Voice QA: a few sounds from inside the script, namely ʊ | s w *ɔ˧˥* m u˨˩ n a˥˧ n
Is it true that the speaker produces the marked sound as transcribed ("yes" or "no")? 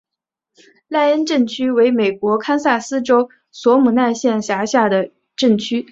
yes